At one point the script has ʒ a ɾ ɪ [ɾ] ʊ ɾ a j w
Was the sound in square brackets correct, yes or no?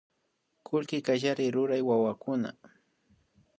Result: yes